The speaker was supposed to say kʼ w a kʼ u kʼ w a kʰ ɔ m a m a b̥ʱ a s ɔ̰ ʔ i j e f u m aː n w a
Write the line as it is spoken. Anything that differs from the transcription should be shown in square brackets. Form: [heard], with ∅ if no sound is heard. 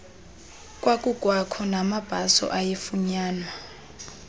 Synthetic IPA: kʼ w a kʼ u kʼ w a kʰ ɔ [n] a m a b̥ʱ a s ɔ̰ ʔ [a] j e f u [ɲ] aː n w a